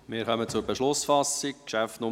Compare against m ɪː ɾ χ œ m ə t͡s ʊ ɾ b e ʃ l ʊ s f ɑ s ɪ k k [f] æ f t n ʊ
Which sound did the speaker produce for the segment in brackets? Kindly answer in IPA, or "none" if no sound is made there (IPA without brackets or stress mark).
ʃ